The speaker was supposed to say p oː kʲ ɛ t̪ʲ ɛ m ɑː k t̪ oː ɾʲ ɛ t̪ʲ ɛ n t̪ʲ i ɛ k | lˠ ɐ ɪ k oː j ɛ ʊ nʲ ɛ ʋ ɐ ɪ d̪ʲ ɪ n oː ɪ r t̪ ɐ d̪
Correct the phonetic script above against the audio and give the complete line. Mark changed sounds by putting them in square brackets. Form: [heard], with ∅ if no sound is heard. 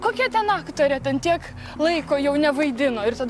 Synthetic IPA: [k] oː kʲ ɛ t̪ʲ ɛ [n] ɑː k t̪ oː ɾʲ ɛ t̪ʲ ɛ n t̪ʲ i ɛ k | lˠ ɐ ɪ k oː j ɛ ʊ nʲ ɛ ʋ ɐ ɪ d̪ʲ ɪ n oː ɪ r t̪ ɐ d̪